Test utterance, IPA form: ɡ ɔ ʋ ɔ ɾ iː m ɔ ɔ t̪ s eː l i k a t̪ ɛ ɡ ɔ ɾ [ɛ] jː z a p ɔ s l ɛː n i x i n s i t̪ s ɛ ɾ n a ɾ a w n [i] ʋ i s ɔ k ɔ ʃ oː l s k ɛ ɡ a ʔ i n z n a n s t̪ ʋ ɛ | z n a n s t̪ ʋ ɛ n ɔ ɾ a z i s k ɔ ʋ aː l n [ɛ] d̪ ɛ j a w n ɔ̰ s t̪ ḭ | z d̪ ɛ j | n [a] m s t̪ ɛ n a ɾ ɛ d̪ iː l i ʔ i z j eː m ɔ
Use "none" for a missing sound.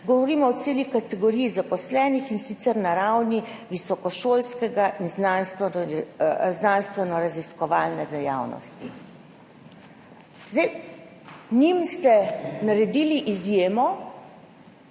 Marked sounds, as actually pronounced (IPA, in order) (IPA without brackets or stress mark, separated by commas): i, i, ɛ, i